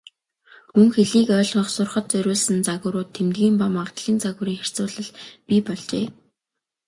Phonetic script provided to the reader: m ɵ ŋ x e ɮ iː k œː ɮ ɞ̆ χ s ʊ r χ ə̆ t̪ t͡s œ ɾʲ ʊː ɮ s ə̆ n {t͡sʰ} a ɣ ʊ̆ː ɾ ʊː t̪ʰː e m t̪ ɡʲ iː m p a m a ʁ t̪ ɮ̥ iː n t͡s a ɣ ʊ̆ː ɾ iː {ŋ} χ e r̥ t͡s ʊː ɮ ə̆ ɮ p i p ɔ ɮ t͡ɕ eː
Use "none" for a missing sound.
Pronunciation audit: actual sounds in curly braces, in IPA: t͡s, ŋ

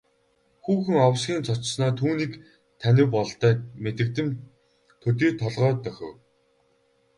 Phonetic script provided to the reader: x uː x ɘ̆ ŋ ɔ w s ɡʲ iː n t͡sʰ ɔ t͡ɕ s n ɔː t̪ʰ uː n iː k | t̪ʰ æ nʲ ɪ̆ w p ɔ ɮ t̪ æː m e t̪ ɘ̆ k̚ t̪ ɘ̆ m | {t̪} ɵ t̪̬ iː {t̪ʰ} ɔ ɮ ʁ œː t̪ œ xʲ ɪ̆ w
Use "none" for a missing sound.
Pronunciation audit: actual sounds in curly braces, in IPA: t̪ʰ, t̪ʰ

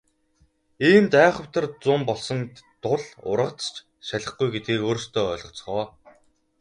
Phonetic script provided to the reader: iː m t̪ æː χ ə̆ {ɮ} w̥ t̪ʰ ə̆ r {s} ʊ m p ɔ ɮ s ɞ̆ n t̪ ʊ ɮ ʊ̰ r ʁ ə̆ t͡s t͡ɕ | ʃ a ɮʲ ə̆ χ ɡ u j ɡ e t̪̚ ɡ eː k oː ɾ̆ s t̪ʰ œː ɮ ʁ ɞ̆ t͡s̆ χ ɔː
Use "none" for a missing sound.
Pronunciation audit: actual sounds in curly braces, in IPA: none, t͡s

